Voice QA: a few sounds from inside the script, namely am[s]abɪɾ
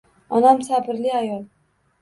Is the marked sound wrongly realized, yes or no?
no